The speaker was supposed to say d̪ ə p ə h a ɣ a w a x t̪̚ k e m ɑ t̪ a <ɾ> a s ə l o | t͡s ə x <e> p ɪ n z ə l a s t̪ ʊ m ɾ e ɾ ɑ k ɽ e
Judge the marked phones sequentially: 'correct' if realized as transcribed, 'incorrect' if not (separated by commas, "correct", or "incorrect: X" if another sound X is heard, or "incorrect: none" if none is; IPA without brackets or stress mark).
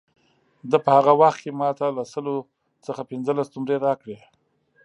incorrect: l, incorrect: a